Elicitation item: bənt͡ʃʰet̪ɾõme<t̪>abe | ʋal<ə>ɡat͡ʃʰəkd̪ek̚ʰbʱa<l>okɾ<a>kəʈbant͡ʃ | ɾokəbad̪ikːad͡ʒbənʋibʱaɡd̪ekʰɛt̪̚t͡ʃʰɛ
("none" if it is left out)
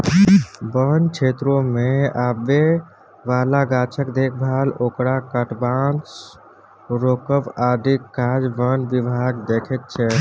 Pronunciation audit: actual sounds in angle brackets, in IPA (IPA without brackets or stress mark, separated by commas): none, a, l, a